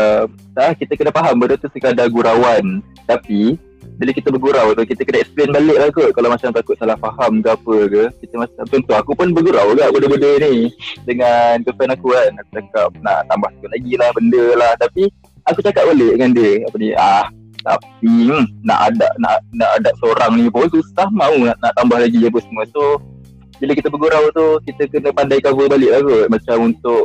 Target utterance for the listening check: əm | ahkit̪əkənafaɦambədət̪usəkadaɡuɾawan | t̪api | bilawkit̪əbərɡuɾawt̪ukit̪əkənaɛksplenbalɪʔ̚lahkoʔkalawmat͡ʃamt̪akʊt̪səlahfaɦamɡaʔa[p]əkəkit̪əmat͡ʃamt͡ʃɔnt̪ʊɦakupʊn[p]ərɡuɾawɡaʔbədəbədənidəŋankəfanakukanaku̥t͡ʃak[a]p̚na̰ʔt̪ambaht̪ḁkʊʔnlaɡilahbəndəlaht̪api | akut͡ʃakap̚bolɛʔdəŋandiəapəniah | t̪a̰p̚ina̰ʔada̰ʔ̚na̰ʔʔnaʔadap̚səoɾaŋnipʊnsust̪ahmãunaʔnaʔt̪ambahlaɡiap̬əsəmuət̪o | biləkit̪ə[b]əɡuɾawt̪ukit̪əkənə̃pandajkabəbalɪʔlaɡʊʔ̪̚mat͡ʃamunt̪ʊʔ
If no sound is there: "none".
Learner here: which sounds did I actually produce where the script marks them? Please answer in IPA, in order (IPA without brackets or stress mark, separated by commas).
p, b, a, b